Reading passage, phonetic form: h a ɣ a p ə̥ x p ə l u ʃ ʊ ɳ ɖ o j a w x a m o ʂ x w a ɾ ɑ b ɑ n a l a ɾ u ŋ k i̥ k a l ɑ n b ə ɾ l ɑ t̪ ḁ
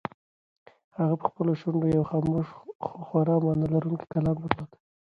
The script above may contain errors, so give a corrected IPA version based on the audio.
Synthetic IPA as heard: h a ɣ a p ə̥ x p ə l o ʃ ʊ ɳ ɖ o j a w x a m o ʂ x w a ɾ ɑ m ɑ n a l a ɾ u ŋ k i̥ k a l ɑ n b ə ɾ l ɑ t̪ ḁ